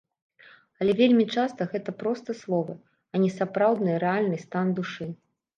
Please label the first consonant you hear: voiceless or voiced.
voiced